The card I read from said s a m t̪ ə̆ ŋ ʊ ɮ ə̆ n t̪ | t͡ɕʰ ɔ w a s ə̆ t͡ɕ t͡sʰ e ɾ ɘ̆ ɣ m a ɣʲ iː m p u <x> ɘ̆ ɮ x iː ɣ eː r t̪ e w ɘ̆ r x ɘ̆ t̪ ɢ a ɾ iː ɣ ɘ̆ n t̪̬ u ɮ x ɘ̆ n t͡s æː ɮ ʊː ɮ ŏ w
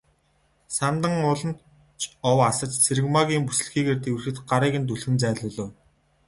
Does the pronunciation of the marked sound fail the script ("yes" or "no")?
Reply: yes